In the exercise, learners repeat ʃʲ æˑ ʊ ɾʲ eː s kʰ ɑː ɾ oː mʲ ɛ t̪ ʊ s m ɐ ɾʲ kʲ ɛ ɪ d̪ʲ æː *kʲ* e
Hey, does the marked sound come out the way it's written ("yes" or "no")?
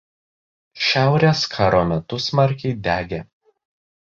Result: no